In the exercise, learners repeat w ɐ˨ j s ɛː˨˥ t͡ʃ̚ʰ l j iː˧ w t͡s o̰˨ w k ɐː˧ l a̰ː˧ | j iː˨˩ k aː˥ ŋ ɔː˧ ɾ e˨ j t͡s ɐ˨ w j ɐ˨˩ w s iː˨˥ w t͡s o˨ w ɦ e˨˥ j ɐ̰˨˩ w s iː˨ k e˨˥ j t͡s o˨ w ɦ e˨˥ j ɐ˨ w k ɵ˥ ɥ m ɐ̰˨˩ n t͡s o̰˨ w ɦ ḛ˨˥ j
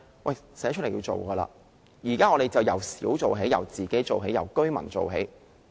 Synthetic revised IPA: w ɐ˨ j s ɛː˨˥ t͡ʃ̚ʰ l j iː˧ w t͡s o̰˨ w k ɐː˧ l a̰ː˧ | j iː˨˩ k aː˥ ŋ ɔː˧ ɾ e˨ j t͡s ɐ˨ w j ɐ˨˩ w s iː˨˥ w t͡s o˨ w ɦ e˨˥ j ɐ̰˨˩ w t͡s iː˨ k e˨˥ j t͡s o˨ w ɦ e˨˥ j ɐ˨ w k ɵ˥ ɥ m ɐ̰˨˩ n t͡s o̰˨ w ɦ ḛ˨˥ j